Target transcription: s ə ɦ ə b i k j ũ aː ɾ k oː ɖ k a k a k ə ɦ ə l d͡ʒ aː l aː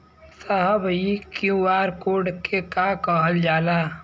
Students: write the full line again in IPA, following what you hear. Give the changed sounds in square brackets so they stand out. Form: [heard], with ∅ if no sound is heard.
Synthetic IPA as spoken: s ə ɦ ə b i k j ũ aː ɾ k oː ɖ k [e] k a k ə ɦ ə l d͡ʒ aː l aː